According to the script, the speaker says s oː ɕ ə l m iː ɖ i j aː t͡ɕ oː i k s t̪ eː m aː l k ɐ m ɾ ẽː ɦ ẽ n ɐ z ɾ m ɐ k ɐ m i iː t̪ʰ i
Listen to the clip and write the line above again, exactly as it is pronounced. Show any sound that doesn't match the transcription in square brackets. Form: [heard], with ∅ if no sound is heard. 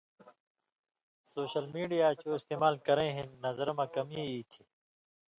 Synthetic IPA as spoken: s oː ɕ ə l m iː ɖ i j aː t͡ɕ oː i [∅] s t̪ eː m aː l k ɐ [∅] ɾ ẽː ɦ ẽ n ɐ z ɾ m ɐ k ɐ m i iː t̪ʰ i